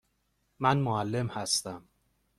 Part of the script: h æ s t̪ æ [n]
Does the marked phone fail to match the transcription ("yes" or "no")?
yes